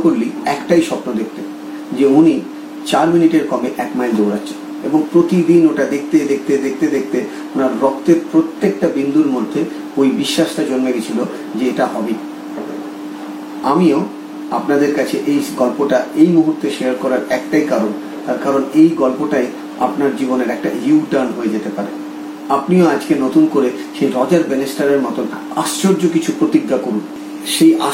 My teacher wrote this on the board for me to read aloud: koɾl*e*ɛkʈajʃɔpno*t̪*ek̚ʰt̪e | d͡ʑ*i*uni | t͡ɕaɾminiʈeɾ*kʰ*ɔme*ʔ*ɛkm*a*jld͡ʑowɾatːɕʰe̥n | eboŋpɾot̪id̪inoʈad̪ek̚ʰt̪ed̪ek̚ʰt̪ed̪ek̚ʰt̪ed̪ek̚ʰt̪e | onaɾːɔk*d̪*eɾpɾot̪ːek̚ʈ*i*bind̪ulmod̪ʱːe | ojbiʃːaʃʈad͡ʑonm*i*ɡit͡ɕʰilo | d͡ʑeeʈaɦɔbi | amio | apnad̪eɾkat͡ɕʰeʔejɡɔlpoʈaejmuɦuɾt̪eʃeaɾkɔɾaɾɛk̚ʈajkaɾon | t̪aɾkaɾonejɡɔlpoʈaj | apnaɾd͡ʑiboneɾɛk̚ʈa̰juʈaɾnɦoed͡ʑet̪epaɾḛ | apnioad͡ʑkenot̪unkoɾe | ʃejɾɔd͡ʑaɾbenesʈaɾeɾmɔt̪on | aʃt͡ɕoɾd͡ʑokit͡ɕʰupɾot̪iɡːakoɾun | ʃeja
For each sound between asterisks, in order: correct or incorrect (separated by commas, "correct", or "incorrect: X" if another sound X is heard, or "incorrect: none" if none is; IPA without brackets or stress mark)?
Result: incorrect: i, incorrect: d̪, incorrect: e, incorrect: k, correct, correct, incorrect: t̪, incorrect: a, incorrect: e